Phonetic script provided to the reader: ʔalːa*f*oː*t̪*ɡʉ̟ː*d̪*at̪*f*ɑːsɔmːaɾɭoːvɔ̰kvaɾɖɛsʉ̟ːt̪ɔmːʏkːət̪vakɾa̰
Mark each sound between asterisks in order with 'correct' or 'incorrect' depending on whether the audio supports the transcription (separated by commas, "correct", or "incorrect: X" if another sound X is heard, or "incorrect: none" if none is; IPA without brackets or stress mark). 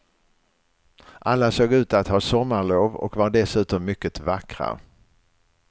incorrect: s, incorrect: none, incorrect: t̪, incorrect: h